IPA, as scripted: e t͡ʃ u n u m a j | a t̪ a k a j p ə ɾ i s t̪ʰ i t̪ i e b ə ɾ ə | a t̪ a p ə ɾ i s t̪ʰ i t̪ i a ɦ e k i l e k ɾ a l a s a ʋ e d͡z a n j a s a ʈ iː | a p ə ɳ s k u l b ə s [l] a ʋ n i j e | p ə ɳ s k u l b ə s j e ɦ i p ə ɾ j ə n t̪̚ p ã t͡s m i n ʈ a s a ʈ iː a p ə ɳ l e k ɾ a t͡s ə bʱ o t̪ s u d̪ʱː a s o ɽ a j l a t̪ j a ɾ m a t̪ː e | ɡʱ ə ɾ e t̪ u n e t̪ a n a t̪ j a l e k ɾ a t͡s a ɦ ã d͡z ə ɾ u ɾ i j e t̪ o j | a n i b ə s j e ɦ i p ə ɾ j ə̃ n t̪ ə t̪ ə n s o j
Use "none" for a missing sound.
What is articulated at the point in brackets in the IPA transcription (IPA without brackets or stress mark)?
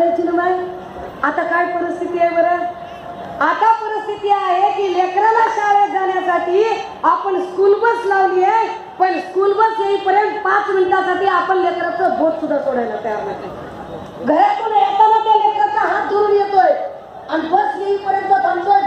l